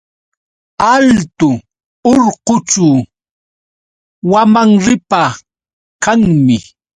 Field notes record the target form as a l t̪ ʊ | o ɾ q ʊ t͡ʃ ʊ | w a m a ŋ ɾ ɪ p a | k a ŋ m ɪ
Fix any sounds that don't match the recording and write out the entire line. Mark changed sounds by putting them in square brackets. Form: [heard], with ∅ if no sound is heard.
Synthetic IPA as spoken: a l t̪ ʊ | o ɾ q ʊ t͡ʃ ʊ | w a m a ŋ ɾ ɪ p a | k a ŋ m ɪ